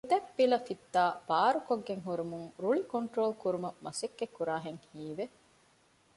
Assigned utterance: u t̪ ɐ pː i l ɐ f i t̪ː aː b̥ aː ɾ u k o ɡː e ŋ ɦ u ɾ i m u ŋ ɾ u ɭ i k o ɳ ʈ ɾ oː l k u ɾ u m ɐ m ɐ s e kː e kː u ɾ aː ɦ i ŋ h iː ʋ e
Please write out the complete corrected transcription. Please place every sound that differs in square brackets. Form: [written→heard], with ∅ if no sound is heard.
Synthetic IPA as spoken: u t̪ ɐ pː i l ɐ f i t̪ː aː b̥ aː ɾ u k o ɡː e ŋ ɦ u ɾ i m u ŋ ɾ u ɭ i k o ɳ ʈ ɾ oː l k u ɾ u m ɐ m ɐ s e kː e kː u ɾ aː ɦ [i→e] ŋ h iː ʋ e